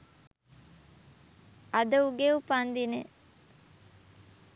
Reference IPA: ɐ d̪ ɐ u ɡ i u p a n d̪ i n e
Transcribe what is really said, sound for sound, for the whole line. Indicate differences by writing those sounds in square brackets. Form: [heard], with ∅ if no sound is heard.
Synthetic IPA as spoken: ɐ d̪ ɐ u ɡ [e] u p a n d̪ i n e